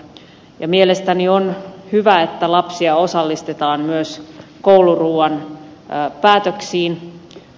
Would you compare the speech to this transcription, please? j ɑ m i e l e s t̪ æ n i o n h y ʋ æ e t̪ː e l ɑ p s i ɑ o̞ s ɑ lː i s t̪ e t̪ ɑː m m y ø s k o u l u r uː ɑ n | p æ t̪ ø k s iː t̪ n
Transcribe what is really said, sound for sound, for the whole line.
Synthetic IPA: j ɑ m i e l e s t̪ æ n i o n h y ʋ æ e t̪ː æ l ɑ p s i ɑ o̞ s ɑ lː i s t̪ e t̪ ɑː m m y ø s k o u l u r uː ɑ n | p æː t̪ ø k s iː n

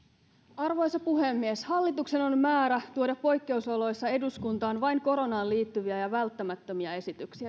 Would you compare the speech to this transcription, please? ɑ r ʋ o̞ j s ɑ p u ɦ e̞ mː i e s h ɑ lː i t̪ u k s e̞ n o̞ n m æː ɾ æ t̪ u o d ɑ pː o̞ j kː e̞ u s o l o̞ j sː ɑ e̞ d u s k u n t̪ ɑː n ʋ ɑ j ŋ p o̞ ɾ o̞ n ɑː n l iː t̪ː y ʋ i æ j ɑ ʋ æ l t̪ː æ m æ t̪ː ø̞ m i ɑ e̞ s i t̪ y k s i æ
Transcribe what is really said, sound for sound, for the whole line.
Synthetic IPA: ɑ r ʋ o̞ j s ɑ p u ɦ e̞ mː i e s h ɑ lː i t̪ u k s e̞ n o̞ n m æː ɾ æ t̪ u o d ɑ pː o̞ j kː e̞ u s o l o̞ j sː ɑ e̞ d u s k u n t̪ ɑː n ʋ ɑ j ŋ k o̞ ɾ o̞ n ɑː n l iː t̪ː y ʋ i æ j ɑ ʋ æ l t̪ː æ m æ t̪ː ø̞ m i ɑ e̞ s i t̪ y k s i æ

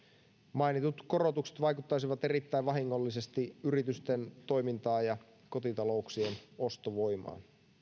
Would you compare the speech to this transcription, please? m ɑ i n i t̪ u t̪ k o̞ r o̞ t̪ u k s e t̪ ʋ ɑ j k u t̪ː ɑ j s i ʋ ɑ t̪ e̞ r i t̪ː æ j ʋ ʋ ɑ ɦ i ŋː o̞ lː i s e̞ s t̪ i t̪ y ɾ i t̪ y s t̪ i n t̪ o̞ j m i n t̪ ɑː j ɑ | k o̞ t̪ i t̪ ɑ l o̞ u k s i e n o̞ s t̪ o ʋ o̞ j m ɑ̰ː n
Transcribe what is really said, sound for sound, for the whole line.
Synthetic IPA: m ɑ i n i t̪ u t̪ k o̞ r o̞ t̪ u k s e t̪ ʋ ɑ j k u t̪ː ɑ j s i ʋ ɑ t̪ e̞ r i t̪ː æ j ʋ ʋ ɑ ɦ i ŋː o̞ lː i s e̞ s t̪ i y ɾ i t̪ y s t̪ e n t̪ o̞ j m i n t̪ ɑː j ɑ | k o̞ t̪ i t̪ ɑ l o̞ u k s i e n o̞ s t̪ o ʋ o̞ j m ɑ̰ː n

